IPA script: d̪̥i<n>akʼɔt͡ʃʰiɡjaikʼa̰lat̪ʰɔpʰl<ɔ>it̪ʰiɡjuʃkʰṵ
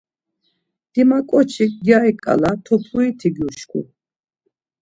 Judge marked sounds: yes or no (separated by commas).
no, no